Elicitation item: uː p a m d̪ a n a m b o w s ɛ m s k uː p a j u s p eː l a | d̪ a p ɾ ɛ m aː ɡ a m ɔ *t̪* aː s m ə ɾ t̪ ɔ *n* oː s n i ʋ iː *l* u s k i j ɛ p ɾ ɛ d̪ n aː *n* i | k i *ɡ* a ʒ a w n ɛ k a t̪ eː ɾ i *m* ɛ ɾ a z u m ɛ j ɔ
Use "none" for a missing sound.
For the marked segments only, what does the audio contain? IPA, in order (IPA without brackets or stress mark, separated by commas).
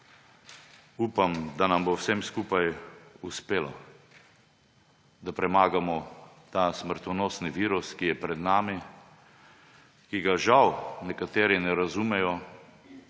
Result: t̪, n, ɾ, m, ɡ, n